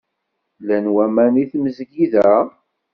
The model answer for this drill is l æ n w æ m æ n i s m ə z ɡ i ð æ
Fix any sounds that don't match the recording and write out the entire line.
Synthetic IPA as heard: l æ n w æ m æ n i θ m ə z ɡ i ð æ